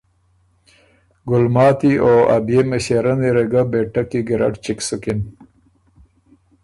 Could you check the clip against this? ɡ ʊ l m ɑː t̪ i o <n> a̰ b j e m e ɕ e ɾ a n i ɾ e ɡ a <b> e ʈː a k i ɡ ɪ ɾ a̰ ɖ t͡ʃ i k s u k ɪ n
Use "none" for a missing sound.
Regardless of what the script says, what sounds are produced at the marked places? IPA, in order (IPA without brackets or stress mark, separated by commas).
none, b